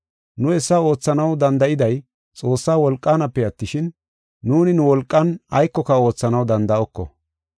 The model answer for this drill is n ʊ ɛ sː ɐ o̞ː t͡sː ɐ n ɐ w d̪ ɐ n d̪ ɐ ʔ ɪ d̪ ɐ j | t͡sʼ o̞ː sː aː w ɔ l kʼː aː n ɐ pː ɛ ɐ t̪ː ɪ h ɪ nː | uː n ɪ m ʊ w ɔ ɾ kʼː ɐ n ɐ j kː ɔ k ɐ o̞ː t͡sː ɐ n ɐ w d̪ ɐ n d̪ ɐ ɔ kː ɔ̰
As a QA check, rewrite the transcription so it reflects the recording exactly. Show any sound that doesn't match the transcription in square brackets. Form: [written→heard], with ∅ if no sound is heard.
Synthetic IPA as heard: n ʊ ɛ sː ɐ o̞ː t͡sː ɐ n ɐ w d̪ ɐ n d̪ ɐ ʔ ɪ d̪ ɐ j | t͡sʼ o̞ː sː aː w ɔ l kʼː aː n ɐ pː ɛ ɐ t̪ː ɪ [h→ʃ] ɪ nː | uː n ɪ [m→n] ʊ w ɔ [ɾ→l] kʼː ɐ n ɐ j kː ɔ k ɐ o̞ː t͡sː ɐ n ɐ w d̪ ɐ n d̪ ɐ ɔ kː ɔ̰